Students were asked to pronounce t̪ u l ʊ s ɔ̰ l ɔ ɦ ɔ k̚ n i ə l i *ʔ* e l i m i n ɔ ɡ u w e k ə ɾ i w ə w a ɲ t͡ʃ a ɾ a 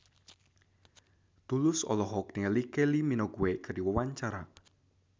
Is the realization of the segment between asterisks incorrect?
yes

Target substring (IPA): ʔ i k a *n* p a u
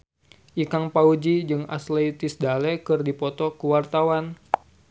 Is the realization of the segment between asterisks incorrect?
yes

